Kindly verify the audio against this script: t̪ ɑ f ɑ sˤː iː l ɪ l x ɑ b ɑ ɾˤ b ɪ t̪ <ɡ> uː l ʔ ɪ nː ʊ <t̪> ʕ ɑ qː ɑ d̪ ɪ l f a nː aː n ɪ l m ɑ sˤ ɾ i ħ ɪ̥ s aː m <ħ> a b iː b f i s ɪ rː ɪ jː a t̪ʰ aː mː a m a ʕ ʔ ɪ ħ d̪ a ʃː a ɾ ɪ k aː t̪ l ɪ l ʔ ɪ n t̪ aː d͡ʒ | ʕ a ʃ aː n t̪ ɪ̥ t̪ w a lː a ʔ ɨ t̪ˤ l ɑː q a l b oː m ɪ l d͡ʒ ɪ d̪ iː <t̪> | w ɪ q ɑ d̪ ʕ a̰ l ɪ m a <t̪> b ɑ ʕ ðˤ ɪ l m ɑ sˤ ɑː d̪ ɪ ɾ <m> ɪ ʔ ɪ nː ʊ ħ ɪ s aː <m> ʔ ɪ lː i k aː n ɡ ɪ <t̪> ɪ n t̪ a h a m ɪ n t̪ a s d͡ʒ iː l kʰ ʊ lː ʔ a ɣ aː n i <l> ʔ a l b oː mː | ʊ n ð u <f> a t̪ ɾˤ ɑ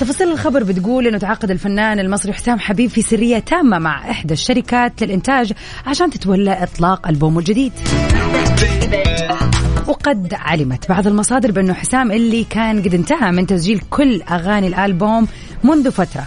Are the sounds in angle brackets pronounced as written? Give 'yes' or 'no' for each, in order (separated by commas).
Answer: yes, yes, yes, no, yes, no, yes, no, yes, yes